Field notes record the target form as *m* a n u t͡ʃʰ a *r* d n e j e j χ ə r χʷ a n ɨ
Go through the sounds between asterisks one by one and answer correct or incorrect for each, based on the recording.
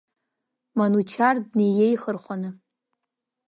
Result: correct, correct

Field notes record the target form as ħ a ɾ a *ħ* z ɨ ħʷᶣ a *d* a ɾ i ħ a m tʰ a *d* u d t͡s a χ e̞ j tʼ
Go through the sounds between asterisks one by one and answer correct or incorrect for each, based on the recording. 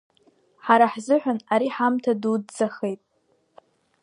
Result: correct, incorrect: n, correct

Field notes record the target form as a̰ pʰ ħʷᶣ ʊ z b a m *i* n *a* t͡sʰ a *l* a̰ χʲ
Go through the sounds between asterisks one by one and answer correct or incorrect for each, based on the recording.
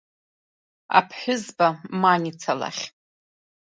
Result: incorrect: a, incorrect: i, correct

